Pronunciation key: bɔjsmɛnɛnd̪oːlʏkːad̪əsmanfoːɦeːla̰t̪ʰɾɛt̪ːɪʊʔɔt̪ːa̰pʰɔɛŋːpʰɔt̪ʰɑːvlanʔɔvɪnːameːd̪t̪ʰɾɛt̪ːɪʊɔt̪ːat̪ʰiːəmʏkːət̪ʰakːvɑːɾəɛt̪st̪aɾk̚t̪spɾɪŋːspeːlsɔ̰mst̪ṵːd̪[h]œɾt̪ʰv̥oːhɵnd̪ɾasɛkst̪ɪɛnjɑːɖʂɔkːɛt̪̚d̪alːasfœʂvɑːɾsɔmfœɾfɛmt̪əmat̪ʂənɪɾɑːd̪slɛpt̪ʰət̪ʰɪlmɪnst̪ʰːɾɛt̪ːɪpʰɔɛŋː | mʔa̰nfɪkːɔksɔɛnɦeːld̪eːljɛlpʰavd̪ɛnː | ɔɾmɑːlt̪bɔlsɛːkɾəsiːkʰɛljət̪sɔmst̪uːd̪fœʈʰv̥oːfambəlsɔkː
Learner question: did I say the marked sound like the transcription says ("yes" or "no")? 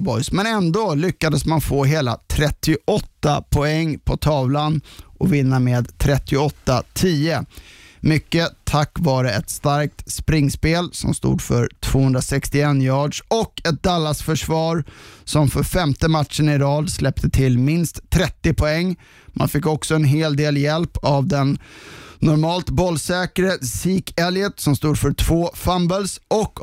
no